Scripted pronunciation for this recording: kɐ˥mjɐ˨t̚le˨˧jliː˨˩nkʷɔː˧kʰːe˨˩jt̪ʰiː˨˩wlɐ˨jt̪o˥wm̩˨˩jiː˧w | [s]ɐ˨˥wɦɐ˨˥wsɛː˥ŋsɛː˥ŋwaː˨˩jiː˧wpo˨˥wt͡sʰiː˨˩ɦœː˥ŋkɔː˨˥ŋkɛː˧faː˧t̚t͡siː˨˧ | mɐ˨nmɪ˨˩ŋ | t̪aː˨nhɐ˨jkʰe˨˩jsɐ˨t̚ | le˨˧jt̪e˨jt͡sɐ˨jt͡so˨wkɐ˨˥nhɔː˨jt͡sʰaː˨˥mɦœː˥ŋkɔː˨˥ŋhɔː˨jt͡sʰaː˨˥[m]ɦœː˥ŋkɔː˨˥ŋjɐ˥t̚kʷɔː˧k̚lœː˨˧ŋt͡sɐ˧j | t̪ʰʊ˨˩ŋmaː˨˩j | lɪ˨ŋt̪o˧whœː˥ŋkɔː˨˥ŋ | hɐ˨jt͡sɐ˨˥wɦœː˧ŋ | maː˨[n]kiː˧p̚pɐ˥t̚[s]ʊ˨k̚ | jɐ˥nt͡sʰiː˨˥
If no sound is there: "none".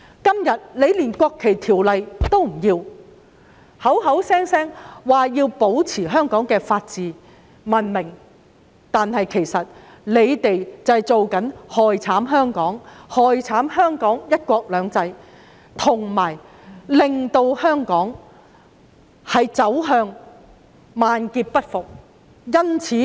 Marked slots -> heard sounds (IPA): h, m, n, f

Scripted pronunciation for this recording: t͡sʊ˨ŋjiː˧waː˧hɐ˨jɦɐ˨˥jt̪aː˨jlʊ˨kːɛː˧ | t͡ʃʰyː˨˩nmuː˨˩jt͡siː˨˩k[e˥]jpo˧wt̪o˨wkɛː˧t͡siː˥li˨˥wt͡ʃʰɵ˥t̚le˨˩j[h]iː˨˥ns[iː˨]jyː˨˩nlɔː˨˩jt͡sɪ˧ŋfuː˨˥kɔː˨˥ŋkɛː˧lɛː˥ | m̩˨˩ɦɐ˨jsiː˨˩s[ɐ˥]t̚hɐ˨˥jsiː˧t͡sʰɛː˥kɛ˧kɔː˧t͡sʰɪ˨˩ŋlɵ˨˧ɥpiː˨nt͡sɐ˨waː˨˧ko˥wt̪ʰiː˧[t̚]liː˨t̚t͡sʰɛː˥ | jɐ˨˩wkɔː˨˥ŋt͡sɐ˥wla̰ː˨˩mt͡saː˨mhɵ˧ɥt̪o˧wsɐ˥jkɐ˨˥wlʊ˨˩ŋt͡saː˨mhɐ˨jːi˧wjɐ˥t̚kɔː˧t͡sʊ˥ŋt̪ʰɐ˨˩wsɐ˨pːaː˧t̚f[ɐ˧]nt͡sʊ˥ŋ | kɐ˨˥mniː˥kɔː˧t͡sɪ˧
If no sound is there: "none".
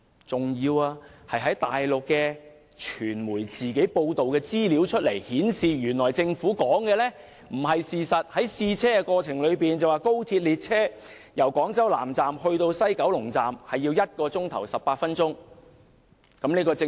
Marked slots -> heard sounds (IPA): e˨˥, h, iː˨, ɐ˨, t̚, ɐ˥

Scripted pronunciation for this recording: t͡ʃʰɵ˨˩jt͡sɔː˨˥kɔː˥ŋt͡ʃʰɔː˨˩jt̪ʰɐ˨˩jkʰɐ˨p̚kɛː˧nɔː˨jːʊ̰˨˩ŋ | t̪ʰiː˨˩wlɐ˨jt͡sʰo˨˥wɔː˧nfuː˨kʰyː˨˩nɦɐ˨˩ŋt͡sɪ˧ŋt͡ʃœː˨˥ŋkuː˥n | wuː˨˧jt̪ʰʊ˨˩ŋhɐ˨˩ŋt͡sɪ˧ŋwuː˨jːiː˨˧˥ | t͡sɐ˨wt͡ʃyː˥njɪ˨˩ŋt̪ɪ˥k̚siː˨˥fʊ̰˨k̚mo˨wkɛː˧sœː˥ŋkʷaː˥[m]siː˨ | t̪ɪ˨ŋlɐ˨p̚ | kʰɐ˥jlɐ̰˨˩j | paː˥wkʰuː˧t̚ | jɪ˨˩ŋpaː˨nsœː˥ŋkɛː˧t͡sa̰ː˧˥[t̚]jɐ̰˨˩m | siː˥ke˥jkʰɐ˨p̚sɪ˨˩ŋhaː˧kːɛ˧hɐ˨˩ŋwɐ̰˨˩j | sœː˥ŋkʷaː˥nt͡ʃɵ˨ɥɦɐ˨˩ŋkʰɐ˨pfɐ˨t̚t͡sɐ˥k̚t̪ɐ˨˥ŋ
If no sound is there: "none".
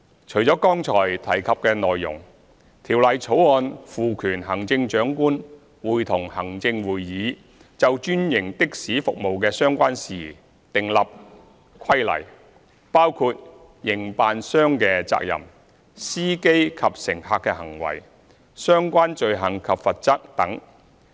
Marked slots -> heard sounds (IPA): n, k̚

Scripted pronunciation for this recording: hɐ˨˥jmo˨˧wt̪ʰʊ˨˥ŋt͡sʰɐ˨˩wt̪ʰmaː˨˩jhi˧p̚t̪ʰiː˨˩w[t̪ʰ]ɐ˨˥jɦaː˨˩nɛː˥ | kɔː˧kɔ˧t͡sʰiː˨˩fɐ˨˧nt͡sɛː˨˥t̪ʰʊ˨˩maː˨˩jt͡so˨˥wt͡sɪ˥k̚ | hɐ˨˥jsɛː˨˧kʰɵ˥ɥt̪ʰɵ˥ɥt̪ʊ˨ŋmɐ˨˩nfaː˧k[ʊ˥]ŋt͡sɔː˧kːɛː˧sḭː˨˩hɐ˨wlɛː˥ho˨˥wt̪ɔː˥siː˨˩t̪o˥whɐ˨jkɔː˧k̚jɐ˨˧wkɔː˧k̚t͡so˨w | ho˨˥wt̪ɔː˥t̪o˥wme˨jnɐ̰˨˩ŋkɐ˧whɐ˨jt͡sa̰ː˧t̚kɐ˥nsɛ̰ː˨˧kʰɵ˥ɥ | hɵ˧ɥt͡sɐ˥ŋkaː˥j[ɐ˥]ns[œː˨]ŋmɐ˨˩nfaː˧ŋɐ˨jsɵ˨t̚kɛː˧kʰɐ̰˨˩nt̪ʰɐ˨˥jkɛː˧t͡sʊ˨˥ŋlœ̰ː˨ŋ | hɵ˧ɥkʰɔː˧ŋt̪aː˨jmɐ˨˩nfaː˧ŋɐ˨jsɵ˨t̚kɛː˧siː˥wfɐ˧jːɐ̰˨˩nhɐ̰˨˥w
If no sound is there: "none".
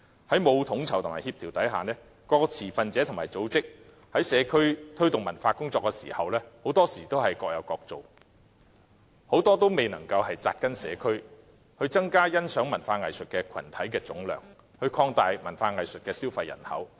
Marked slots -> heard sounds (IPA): t̪, ʊ˥, ɐ˥, œː˨˥

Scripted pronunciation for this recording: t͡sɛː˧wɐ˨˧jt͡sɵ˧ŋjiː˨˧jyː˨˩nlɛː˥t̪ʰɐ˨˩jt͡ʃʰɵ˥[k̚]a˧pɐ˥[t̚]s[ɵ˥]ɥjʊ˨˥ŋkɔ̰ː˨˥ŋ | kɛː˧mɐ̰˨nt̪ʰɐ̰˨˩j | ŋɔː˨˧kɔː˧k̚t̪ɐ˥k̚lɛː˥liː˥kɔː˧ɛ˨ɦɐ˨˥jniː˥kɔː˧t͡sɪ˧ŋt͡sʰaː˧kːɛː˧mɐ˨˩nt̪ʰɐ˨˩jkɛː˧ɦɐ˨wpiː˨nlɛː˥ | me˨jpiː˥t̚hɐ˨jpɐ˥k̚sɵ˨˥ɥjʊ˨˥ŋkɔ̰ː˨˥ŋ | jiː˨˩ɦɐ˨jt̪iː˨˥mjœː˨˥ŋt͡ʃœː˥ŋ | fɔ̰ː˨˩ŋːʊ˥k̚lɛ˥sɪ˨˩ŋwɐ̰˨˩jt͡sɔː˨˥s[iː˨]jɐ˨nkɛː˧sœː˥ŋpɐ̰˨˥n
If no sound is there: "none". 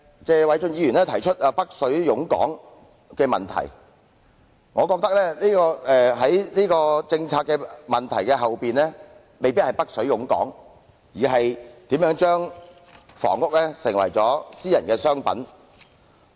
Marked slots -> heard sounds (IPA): t̚, k̚, ɵ˨˥, iː˥

